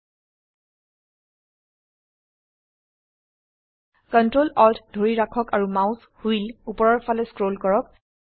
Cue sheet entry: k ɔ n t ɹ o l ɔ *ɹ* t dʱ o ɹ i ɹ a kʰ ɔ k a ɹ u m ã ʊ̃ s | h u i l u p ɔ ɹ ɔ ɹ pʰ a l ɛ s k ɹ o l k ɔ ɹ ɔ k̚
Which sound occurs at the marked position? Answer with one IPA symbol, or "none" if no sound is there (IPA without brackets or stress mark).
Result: l